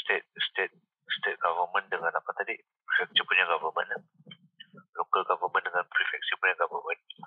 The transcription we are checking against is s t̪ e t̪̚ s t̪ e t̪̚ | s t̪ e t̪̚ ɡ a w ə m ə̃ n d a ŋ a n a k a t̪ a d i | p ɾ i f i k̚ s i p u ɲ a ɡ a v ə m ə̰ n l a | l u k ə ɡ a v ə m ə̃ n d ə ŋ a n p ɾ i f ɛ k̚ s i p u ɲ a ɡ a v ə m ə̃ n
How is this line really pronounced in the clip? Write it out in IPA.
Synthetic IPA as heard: s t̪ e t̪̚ s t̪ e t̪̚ | s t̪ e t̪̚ ɡ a v ə m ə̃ n d ə ŋ a n a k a t̪ a d i | p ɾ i f ɛ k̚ s i p u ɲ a ɡ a v ə m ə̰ n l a | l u k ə ɡ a v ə m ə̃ n d ə ŋ a n p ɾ i f ɛ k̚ s i p u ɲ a ɡ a v ə m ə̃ n